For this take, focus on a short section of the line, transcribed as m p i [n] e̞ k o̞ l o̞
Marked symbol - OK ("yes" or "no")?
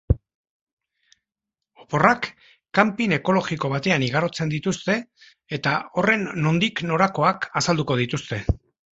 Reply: yes